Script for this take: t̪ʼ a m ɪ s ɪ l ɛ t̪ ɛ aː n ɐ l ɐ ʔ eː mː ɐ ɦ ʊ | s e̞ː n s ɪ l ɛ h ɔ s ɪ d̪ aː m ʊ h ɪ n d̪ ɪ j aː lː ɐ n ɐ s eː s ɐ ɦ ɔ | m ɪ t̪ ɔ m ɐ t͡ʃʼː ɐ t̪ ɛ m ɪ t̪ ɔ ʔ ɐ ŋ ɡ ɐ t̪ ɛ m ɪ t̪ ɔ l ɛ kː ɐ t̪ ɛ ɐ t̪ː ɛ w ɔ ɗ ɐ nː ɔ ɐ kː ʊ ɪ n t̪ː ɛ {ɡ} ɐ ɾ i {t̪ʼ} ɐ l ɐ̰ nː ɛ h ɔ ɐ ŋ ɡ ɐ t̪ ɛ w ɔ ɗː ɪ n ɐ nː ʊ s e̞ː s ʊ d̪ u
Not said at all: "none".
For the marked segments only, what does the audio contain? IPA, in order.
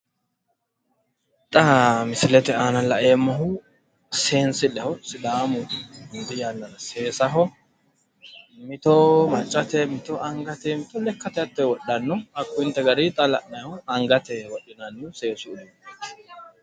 ɡ, t̪ʼ

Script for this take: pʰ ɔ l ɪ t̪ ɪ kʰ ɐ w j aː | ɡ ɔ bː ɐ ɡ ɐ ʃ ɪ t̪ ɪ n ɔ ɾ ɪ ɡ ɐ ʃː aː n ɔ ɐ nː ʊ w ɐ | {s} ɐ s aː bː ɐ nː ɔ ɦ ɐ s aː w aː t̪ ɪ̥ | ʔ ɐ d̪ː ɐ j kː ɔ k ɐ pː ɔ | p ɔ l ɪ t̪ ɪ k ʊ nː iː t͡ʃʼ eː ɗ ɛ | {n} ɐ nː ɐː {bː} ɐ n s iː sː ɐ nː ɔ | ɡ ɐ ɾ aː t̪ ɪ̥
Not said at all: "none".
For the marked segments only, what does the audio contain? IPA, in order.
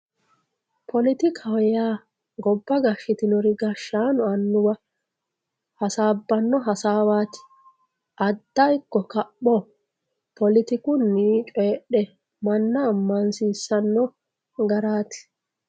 h, m, mː

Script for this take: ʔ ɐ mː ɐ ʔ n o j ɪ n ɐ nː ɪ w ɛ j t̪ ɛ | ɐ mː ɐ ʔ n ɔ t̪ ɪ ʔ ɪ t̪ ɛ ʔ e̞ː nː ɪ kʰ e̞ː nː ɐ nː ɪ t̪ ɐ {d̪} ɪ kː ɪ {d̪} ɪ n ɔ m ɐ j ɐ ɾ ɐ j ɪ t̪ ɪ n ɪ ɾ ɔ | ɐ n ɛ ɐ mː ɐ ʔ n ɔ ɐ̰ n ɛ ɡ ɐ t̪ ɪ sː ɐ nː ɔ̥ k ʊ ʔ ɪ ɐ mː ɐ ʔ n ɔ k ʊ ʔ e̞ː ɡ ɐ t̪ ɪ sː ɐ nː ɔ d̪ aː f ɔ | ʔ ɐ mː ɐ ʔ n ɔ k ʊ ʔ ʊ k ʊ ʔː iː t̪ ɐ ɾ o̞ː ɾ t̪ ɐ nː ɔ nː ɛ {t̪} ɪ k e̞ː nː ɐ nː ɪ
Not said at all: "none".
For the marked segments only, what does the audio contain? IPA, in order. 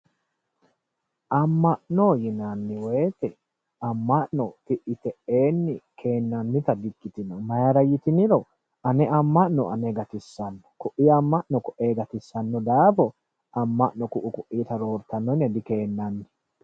d̪, t̪, d̪

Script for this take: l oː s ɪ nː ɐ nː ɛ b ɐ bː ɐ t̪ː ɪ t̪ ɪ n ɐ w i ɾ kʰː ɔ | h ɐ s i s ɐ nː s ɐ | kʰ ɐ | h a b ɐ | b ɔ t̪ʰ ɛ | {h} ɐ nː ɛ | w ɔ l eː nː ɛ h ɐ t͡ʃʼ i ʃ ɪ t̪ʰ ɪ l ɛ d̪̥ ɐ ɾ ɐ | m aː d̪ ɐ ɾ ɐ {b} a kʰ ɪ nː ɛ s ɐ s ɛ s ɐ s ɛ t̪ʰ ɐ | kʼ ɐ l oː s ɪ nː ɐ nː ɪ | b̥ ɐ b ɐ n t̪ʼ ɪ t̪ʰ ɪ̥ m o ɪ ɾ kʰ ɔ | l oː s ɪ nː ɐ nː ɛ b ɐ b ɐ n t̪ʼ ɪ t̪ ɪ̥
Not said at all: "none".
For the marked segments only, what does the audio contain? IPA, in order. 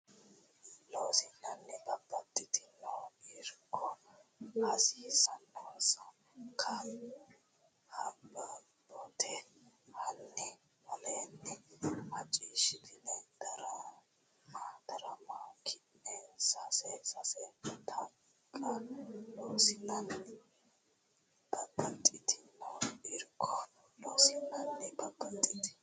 h, m

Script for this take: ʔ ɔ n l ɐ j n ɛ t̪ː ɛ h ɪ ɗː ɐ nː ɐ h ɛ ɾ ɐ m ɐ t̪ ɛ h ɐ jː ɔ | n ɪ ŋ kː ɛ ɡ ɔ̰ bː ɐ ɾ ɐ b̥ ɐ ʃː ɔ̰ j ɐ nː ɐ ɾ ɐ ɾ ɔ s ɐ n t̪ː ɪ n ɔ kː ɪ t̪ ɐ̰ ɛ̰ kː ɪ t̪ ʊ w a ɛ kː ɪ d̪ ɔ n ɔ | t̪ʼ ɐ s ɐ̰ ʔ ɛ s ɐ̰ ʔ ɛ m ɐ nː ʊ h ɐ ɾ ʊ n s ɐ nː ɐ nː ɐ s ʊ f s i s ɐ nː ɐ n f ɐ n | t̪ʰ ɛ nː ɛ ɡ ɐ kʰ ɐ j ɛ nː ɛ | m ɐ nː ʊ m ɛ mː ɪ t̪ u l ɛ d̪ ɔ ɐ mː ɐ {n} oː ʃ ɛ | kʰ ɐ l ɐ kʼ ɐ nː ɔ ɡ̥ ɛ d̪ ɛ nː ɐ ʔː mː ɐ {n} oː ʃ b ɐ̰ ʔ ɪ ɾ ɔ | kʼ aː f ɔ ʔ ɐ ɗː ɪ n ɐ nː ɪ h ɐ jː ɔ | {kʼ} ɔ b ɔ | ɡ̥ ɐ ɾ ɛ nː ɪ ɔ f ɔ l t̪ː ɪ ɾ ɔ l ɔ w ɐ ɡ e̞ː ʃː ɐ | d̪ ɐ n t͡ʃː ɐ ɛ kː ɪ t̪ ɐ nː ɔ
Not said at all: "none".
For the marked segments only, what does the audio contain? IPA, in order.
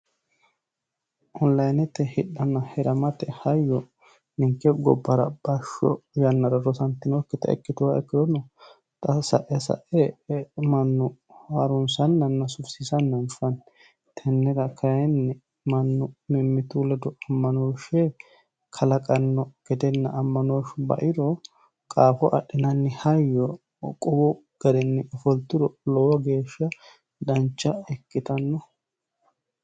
n, n, kʼ

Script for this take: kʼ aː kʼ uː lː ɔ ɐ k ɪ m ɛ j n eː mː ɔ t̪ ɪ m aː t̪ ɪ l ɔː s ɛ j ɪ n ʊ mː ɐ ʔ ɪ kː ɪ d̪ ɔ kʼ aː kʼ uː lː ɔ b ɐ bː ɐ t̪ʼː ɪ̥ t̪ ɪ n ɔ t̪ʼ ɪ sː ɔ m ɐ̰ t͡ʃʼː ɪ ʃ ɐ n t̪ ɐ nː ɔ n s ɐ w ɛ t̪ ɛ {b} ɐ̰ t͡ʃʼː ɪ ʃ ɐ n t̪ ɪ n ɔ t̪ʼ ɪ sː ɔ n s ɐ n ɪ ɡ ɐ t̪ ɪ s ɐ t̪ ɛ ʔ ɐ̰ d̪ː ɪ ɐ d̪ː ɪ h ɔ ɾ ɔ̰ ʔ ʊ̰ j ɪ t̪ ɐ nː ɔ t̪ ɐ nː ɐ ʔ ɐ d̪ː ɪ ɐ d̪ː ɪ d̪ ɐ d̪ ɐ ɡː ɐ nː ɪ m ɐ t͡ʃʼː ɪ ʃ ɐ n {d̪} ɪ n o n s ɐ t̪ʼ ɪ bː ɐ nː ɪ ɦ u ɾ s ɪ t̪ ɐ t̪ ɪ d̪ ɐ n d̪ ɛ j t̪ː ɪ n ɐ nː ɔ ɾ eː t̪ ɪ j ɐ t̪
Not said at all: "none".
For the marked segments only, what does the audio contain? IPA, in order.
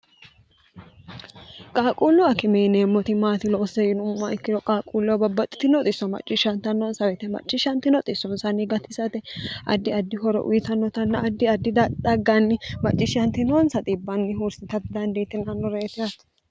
m, t̪

